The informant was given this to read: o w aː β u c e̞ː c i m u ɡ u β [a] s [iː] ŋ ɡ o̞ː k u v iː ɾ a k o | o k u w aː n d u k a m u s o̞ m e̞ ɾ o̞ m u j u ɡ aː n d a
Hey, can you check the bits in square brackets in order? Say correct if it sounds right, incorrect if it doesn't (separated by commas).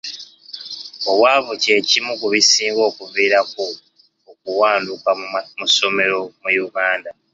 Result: incorrect, correct